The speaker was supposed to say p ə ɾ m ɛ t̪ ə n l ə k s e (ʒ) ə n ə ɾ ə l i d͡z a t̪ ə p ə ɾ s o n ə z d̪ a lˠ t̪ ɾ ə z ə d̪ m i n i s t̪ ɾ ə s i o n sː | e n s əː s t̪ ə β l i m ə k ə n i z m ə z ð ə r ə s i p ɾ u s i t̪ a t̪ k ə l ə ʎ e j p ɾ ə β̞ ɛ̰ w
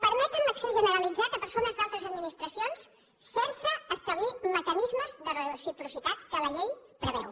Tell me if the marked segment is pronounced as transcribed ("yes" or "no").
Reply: yes